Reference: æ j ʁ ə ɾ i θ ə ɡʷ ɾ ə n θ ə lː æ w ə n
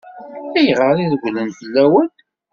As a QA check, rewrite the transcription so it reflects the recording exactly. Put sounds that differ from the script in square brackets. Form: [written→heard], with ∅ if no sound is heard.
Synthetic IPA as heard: æ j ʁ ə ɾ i [θ→ð] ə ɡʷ [ɾ→l] ə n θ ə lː æ w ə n